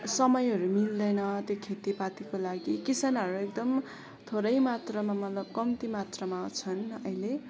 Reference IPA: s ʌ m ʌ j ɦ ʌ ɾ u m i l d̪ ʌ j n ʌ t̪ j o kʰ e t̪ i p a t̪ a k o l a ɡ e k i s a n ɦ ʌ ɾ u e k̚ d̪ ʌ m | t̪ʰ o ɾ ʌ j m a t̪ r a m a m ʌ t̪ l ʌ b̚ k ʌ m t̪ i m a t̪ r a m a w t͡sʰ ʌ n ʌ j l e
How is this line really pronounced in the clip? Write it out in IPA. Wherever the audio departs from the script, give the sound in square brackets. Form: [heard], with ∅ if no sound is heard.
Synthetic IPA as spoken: s ʌ m ʌ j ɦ ʌ ɾ u m i l d̪ ʌ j n ʌ t̪ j o kʰ e t̪ i p a t̪ [i] k o l a ɡ [i] k i s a n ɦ ʌ ɾ u e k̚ d̪ ʌ m | t̪ʰ o ɾ ʌ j m a t̪ r [ʌ] m a m ʌ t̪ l ʌ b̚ k ʌ m t̪ i m a t̪ r [ʌ] m a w t͡sʰ ʌ n ʌ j l e